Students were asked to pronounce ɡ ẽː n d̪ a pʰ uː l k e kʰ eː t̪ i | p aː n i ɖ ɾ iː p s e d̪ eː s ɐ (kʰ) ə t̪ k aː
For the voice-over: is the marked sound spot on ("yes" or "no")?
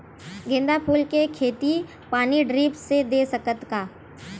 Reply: no